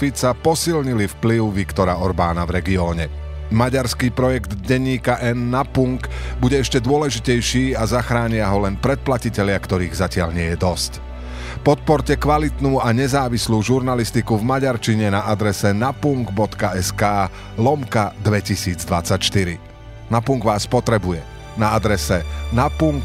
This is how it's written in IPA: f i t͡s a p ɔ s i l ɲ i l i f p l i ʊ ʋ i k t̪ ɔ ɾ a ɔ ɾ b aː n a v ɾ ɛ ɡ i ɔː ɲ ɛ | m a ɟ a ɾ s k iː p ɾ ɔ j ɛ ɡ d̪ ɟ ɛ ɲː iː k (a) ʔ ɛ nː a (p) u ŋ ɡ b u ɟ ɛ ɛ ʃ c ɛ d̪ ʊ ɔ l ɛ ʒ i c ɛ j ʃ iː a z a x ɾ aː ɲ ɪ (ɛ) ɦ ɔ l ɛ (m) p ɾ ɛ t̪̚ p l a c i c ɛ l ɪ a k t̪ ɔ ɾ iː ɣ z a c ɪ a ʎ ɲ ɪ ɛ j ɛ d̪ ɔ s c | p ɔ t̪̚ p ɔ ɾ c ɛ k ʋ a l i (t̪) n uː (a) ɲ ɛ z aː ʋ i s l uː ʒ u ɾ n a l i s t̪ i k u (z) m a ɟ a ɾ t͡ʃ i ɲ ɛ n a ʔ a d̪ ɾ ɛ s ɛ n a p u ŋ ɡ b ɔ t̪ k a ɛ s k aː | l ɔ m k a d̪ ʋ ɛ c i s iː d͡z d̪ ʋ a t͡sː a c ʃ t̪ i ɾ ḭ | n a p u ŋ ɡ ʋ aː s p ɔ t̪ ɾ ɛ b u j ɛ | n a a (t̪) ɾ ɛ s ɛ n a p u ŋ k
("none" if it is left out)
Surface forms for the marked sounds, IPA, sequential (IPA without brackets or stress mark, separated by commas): a, p, a, n, t̪, a, v, d̪